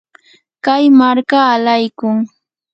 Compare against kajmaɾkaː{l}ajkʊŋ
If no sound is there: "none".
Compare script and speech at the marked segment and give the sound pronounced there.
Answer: l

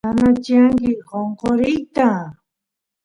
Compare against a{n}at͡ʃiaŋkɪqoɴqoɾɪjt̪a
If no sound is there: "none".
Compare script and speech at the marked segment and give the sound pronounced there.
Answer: n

